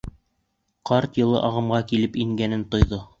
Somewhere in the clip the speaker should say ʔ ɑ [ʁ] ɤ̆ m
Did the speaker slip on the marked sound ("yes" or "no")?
no